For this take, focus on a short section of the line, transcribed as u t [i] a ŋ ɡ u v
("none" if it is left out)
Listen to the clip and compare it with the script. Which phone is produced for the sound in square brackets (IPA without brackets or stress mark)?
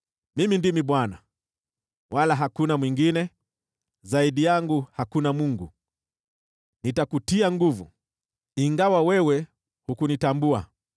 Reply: i